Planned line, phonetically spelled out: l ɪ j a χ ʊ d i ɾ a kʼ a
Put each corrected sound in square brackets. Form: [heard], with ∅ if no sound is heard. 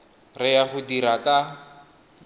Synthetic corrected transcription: [r] ɪ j a χ ʊ d i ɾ a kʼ a